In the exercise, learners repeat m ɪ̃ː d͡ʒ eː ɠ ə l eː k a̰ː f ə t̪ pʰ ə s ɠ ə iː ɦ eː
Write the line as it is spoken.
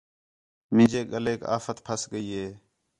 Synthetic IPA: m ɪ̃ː d͡ʒ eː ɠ ə l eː k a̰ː f ə t̪ pʰ ə s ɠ ə iː ɦ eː